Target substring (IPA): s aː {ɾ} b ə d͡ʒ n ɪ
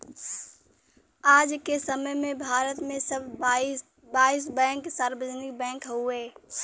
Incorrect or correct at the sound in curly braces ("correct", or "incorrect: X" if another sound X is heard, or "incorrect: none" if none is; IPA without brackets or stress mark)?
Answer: correct